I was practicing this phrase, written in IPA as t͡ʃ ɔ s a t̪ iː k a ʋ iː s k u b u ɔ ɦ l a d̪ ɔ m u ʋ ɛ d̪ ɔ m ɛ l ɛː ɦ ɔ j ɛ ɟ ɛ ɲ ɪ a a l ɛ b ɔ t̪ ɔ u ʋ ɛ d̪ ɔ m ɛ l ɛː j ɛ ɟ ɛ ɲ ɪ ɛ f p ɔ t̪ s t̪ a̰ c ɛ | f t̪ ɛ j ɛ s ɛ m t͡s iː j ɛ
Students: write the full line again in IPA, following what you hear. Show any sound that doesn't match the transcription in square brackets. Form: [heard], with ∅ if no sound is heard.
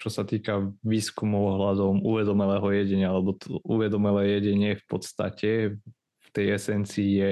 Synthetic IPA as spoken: t͡ʃ ɔ s a t̪ iː k a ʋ iː s k u [m] u ɔ ɦ l a d̪ ɔ m u ʋ ɛ d̪ ɔ m ɛ l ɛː ɦ ɔ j ɛ ɟ ɛ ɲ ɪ a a l ɛ b ɔ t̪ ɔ u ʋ ɛ d̪ ɔ m ɛ l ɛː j ɛ ɟ ɛ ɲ ɪ ɛ f p ɔ t̪ s t̪ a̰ c ɛ | f t̪ ɛ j ɛ s ɛ [n] t͡s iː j ɛ